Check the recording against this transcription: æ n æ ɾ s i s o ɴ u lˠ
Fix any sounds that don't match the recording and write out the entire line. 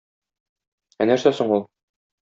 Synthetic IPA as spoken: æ n æ ɾ s æ s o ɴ u lˠ